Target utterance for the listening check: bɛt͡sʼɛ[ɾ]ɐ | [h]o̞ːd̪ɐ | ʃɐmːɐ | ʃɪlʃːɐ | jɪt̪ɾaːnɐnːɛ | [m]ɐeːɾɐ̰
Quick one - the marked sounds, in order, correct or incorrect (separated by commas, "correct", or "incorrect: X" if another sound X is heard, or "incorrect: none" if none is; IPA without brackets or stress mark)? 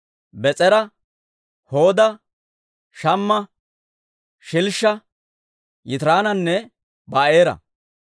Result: correct, correct, incorrect: b